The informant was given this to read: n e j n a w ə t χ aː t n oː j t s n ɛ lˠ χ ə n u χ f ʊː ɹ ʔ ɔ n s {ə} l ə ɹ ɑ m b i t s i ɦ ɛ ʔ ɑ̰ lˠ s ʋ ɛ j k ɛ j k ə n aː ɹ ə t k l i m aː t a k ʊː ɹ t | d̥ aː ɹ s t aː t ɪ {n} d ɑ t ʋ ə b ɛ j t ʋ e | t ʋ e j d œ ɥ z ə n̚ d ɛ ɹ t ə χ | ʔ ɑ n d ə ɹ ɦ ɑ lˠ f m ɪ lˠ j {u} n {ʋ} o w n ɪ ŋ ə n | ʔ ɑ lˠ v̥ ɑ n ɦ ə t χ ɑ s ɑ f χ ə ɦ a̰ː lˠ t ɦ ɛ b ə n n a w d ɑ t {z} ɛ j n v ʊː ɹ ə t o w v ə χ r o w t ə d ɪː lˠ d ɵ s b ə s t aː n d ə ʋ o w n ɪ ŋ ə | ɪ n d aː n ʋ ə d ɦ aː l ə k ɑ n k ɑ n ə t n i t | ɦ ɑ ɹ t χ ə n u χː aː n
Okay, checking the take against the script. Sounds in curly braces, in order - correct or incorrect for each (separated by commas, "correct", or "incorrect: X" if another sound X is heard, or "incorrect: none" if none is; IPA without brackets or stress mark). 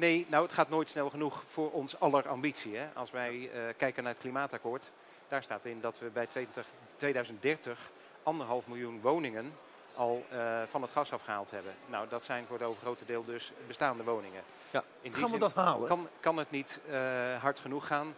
incorrect: ɑ, correct, correct, correct, incorrect: s